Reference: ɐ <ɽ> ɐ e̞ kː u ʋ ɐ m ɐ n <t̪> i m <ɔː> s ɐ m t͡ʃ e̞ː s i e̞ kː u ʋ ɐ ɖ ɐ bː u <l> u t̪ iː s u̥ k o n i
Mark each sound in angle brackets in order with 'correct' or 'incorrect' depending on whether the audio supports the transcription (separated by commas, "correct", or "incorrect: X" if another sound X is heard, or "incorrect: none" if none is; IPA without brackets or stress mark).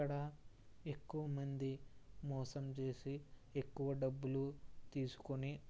correct, incorrect: d̪, correct, correct